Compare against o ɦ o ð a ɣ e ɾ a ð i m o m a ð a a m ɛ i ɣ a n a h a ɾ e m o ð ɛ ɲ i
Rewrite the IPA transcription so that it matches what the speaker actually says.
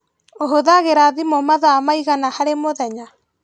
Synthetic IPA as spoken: o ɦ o ð a ɣ e ɾ a ð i m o m a ð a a m a i ɣ a n a h a ɾ e m o ð ɛ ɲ a